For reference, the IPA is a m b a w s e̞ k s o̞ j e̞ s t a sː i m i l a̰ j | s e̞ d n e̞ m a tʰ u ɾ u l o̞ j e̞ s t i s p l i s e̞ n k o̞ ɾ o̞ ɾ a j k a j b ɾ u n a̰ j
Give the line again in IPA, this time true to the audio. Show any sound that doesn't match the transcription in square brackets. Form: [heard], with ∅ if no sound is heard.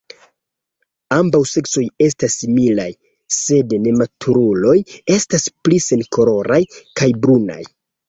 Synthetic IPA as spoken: a m b a w s e̞ k s o̞ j e̞ s t a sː i m i l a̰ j | s e̞ d n e̞ m a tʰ u ɾ u l o̞ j e̞ s t [a] s p l i s e̞ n k o̞ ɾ o̞ ɾ a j k a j b ɾ u n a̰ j